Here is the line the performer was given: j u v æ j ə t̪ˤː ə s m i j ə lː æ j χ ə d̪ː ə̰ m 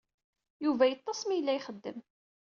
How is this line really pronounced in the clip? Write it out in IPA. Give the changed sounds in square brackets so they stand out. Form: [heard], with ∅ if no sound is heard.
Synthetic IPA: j u v æ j ə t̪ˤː [ɑ] s m i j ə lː æ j χ ə d̪ː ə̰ m